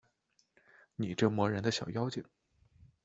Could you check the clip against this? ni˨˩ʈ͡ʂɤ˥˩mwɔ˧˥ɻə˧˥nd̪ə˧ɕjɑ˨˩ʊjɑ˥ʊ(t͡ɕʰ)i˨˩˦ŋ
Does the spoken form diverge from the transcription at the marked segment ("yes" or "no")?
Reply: yes